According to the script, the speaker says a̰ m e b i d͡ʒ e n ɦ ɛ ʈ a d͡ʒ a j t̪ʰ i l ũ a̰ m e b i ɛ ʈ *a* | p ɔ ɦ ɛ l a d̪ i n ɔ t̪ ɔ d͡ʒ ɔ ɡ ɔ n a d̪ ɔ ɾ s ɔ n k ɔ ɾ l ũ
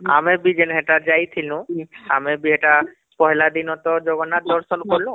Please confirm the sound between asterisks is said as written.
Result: yes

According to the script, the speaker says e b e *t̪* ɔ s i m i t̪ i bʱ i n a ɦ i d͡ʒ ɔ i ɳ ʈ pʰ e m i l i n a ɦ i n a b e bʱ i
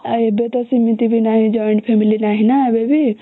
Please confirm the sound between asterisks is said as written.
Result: yes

